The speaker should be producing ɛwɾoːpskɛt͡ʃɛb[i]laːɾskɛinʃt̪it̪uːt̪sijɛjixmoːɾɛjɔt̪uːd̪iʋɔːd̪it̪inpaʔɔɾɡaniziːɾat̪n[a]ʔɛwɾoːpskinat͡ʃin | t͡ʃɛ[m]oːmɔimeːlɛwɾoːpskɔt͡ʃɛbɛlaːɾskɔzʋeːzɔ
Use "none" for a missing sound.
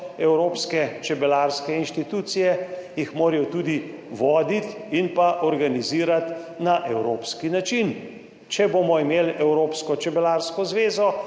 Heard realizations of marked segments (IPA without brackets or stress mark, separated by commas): ɛ, a, b